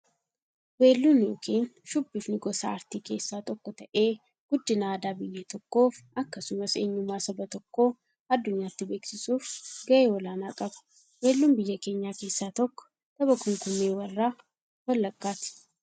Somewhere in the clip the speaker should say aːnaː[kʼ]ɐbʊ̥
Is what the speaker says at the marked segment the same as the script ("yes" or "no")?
yes